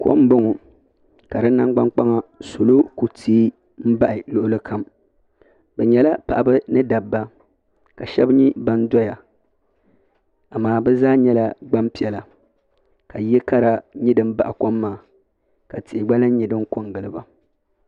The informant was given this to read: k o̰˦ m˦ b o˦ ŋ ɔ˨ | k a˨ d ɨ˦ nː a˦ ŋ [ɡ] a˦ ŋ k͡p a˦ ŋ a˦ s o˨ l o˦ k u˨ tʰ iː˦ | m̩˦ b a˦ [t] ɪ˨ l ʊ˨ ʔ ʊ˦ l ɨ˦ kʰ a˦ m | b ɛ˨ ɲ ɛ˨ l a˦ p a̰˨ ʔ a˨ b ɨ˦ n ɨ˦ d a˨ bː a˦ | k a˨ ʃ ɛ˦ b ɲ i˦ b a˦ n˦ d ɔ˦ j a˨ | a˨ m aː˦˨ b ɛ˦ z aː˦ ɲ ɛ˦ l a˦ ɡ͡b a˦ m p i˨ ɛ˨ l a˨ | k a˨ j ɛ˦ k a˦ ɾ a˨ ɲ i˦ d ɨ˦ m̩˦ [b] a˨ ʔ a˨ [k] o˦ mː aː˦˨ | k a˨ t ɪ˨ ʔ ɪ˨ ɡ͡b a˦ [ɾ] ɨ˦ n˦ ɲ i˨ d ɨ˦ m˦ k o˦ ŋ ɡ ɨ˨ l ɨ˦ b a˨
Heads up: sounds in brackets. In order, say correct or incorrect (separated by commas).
incorrect, incorrect, correct, correct, incorrect